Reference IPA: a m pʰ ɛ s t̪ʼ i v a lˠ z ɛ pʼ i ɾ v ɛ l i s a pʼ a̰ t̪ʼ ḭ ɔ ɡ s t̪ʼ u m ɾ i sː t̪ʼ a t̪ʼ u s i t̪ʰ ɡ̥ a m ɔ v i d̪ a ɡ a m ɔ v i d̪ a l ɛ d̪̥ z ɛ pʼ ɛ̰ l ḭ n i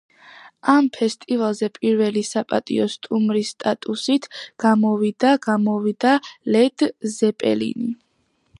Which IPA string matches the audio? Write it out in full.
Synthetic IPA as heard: a m pʰ ɛ s t̪ʼ i v a lˠ z ɛ pʼ i ɾ v ɛ l i s a pʼ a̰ t̪ʼ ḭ ɔ s t̪ʼ u m ɾ i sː t̪ʼ a t̪ʼ u s i t̪ʰ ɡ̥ a m ɔ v i d̪ a ɡ a m ɔ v i d̪ a l ɛ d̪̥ z ɛ pʼ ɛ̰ l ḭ n i

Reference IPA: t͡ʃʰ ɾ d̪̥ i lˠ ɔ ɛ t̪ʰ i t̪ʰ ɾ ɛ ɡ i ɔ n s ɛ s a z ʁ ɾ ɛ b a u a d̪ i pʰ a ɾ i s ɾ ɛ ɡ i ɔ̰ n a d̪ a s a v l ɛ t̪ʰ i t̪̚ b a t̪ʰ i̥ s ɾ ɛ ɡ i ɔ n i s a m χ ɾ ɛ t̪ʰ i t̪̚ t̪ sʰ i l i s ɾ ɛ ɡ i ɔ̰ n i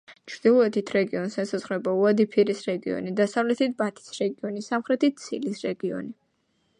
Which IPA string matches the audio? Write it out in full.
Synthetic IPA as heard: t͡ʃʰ ɾ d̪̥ i lˠ ɔ ɛ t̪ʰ i t̪ʰ ɾ ɛ ɡ i ɔ n s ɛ s a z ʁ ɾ ɛ b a u a d̪ i pʰ i ɾ i s ɾ ɛ ɡ i ɔ̰ n i d̪ a s a v l ɛ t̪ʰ i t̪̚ b a t̪ʰ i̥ s ɾ ɛ ɡ i ɔ n i s a m χ ɾ ɛ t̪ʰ i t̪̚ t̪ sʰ i l i s ɾ ɛ ɡ i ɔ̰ n i

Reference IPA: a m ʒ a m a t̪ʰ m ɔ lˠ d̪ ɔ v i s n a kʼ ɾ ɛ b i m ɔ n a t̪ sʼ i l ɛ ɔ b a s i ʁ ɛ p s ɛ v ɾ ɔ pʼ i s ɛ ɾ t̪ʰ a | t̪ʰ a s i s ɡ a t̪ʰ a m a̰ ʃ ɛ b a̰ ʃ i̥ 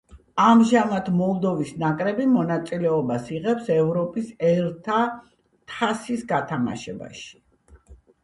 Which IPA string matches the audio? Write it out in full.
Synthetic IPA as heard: a m ʒ a m a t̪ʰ m ɔ lˠ d̪ ɔ v i s n a kʼ ɾ ɛ b i m ɔ n a t̪ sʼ i l ɛ ɔ b a s i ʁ ɛ p s ɛ v ɾ ɔ pʼ i s ɛ ɾ t̪ʰ a | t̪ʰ a s i s ɡ a t̪ʰ a m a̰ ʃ ɛ b a̰ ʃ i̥

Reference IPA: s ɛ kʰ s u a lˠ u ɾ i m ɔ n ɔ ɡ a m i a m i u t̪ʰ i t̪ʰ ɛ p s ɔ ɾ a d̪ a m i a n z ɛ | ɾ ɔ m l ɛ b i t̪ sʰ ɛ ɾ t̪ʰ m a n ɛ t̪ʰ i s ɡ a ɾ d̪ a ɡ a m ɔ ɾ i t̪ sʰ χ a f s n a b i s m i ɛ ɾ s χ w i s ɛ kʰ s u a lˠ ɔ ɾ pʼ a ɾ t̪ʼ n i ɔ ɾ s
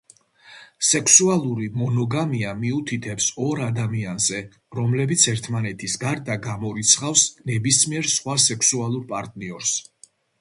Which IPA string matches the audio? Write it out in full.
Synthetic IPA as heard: s ɛ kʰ s u a lˠ u ɾ i m ɔ n ɔ ɡ a m i a m i u t̪ʰ i t̪ʰ ɛ p s ɔ ɾ a d̪ a m i a n z ɛ | ɾ ɔ m l ɛ b i t̪ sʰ ɛ ɾ t̪ʰ m a n ɛ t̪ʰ i s ɡ a ɾ d̪ a ɡ a m ɔ ɾ i t̪ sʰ χ a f s n ɛ b i s m i ɛ ɾ s χ w a s ɛ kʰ s u a lˠ u ɾ pʼ a ɾ t̪ʼ n i ɔ ɾ s

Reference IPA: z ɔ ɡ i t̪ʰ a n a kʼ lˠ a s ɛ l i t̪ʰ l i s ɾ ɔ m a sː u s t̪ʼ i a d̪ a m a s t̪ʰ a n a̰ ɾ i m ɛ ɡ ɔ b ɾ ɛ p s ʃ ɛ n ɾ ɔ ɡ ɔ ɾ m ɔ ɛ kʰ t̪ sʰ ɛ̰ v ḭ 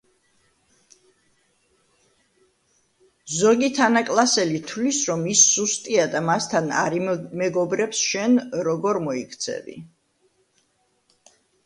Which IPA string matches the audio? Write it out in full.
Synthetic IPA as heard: z ɔ ɡ i t̪ʰ a n a kʼ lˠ a s ɛ l i t̪ʰ l i s ɾ ɔ m i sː u s t̪ʼ i a d̪ a m a s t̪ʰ a n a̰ ɾ i m ɛ ɡ ɔ b ɾ ɛ p s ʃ ɛ n ɾ ɔ ɡ ɔ ɾ m ɔ i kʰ t̪ sʰ ɛ̰ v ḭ

